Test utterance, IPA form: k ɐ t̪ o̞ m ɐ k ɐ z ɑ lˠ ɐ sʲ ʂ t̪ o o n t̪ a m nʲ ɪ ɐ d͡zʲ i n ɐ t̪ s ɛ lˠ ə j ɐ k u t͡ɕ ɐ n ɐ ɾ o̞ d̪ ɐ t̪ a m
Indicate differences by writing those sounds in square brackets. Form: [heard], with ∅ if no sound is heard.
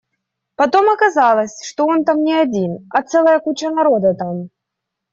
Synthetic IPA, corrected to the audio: [p] ɐ t̪ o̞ m ɐ k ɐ z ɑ lˠ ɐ sʲ ʂ t̪ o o n t̪ a m nʲ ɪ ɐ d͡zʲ i n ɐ t̪ s ɛ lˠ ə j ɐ k u t͡ɕ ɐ n ɐ ɾ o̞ d̪ ɐ t̪ a m